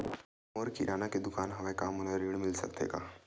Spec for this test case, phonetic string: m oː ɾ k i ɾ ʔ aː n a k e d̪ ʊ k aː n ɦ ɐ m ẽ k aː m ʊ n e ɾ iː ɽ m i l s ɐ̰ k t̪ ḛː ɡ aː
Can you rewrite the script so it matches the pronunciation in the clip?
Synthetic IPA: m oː ɾ k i ɾ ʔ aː n a k e d̪ ʊ k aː n ɦ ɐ m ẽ k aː m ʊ n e ɾ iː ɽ m ɪ l s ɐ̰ k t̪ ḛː ɡ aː